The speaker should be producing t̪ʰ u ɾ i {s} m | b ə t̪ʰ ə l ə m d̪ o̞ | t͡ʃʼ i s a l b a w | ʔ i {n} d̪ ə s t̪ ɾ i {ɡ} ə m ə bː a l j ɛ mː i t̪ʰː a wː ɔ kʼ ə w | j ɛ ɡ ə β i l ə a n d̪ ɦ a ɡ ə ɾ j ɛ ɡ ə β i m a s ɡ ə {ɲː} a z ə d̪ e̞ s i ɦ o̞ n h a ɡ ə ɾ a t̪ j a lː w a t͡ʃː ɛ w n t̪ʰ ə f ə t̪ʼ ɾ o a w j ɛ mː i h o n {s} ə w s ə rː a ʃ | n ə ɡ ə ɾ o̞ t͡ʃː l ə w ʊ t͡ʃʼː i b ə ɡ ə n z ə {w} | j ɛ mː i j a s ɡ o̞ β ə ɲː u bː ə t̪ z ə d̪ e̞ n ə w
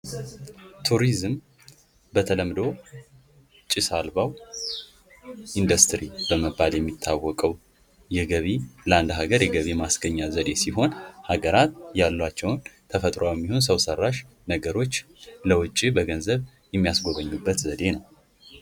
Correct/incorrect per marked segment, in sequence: incorrect, correct, incorrect, correct, correct, incorrect

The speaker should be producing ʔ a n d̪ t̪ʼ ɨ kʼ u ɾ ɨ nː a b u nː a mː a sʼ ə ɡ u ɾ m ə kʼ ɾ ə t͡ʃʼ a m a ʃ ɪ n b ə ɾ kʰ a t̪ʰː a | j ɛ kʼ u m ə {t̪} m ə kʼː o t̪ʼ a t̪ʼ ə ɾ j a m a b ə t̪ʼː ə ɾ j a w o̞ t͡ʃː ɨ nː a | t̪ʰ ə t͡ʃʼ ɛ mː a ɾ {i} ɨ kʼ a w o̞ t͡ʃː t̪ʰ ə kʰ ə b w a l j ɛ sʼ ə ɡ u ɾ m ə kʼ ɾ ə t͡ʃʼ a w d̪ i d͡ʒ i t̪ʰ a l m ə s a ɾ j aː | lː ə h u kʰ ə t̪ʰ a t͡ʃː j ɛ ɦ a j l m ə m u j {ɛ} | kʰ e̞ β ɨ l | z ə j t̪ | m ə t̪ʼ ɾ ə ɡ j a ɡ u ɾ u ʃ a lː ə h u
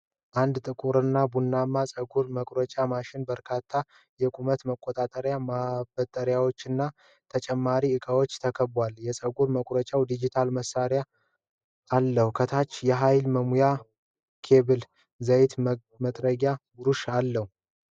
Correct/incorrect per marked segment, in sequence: correct, correct, incorrect

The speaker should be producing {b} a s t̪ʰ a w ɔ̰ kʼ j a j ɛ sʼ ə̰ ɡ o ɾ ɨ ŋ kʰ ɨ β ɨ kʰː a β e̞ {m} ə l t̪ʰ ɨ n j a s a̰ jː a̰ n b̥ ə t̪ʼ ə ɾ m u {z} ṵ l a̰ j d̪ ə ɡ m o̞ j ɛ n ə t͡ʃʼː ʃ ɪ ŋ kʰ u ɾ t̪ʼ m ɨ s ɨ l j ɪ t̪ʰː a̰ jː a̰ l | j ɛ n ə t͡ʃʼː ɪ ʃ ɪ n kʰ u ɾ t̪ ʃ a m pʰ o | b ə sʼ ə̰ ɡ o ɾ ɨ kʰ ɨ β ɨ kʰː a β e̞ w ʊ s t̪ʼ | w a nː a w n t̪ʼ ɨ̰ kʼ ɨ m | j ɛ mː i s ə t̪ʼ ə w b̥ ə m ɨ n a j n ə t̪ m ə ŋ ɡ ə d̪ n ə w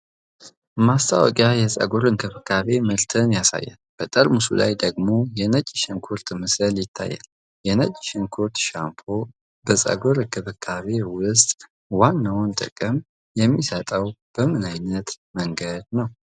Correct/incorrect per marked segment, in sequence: incorrect, correct, incorrect

